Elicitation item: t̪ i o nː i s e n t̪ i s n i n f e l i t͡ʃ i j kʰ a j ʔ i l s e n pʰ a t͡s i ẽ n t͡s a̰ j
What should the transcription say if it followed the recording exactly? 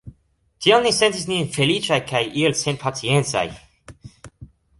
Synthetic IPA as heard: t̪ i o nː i s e n t̪ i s n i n f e l i t͡ʃ a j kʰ a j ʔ i l s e n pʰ a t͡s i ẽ n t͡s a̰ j